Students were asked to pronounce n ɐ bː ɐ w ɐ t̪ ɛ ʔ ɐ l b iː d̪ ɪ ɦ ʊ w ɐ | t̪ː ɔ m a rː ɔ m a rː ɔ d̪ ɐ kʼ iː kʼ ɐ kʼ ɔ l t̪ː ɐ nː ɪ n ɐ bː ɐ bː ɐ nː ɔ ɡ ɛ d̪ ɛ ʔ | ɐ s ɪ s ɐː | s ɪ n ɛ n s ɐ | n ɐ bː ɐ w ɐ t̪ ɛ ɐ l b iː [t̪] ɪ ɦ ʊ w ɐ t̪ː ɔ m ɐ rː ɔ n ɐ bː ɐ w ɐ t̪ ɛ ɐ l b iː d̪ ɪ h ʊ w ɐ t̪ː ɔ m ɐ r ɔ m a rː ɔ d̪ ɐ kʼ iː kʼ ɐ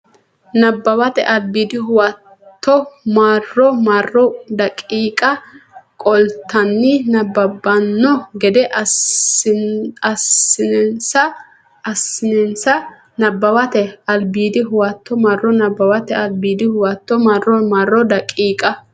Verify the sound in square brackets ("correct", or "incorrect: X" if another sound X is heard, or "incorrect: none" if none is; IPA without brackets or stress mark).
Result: incorrect: d̪